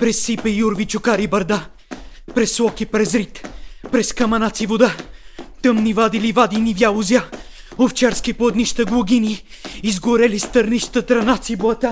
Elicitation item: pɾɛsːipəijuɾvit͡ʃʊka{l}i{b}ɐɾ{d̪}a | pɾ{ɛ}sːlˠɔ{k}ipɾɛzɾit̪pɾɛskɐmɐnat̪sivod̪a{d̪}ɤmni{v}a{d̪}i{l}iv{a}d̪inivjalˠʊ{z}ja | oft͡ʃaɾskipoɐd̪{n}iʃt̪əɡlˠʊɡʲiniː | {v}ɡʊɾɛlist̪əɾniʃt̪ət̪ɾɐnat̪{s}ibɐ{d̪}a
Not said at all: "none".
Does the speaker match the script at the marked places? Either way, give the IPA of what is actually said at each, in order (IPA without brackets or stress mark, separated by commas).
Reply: ɾ, b, d̪, ɛ, k, t̪, v, d̪, l, a, z, n, z, s, t̪